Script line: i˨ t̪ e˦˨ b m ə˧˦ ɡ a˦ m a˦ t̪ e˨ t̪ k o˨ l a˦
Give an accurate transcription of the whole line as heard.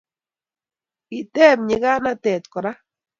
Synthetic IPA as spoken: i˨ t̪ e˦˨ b ɲ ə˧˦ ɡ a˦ n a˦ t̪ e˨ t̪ k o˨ ɾ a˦